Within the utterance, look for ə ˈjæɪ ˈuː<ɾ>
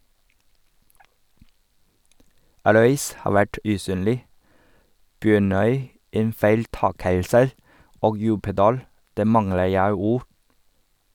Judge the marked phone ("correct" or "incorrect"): correct